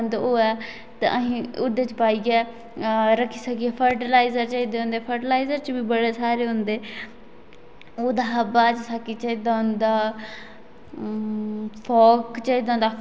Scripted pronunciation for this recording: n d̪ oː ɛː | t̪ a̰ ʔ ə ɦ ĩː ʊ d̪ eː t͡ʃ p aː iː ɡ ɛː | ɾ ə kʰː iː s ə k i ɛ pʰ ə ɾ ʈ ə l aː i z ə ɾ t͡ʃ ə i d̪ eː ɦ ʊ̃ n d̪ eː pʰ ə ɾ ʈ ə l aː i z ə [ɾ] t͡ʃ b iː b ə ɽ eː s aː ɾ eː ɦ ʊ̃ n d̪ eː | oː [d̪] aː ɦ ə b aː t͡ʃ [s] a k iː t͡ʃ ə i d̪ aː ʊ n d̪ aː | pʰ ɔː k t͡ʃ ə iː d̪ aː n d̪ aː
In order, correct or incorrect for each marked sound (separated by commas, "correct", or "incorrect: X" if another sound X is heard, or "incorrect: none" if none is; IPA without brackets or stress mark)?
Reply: correct, correct, correct